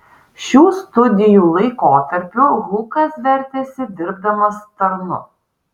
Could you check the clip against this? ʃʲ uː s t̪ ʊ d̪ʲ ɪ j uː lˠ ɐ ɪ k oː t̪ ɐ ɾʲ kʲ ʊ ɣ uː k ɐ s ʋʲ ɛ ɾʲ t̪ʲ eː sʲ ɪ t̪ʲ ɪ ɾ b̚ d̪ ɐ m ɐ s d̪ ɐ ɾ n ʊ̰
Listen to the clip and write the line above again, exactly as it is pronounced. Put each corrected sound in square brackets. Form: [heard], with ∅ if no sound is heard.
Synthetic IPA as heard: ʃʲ uː s t̪ ʊ d̪ʲ ɪ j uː lˠ ɐ ɪ k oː t̪ ɐ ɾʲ [pʲ] ʊ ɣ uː k ɐ s ʋʲ ɛ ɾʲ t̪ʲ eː sʲ ɪ [d̪ʲ] ɪ ɾ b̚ d̪ ɐ m ɐ s [t̪] ɐ ɾ n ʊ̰